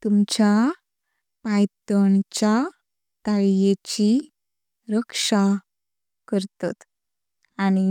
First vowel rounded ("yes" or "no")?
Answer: yes